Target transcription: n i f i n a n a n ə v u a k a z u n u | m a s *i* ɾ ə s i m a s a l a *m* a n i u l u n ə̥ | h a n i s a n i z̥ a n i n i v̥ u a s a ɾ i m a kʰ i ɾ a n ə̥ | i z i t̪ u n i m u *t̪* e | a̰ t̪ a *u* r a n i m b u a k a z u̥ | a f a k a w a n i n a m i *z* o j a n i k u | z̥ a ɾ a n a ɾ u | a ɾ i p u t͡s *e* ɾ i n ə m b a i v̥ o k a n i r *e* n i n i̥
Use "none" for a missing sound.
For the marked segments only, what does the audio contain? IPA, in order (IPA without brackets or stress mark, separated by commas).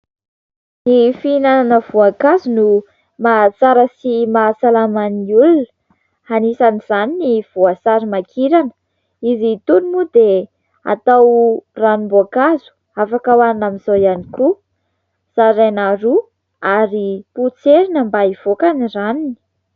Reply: a, m, d̪, w, z, e, a